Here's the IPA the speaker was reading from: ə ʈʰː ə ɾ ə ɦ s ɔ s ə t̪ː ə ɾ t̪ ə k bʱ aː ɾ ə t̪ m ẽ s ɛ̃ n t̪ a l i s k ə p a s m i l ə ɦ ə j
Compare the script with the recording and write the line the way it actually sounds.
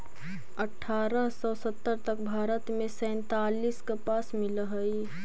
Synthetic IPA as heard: ə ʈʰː a ɾ ə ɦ s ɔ s ə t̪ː ə ɾ t̪ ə k bʱ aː ɾ ə t̪ m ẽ s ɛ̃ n t̪ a l i s k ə p a s m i l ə ɦ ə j